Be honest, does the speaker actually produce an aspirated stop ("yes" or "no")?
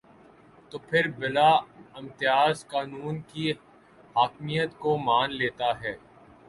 yes